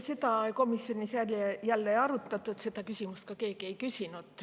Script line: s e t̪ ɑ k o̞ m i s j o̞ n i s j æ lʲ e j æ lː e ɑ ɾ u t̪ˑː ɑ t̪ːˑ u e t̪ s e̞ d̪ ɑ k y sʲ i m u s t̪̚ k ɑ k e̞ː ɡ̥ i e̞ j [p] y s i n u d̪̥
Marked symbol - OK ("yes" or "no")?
no